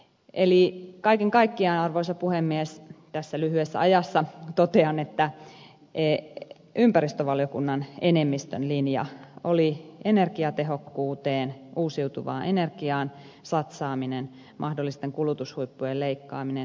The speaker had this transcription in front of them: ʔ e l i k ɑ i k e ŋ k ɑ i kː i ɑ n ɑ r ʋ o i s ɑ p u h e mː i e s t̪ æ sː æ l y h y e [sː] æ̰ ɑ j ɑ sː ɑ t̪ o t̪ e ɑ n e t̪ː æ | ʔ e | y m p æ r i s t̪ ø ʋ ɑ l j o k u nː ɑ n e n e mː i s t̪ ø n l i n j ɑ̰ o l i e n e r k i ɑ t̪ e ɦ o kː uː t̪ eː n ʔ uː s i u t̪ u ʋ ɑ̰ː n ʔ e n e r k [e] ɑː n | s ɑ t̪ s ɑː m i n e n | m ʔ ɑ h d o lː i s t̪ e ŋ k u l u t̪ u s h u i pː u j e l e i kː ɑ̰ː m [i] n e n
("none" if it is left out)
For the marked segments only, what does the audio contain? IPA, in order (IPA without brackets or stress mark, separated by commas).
sː, i, i